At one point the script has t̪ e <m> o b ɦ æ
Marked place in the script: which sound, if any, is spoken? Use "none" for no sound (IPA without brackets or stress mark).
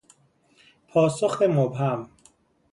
m